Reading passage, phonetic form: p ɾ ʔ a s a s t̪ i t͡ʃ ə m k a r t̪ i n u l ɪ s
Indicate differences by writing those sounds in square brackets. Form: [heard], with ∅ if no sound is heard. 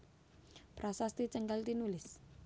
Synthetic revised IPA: p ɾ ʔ a s a s t̪ i t͡ʃ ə [ŋ] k a [l] t̪ i n u l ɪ s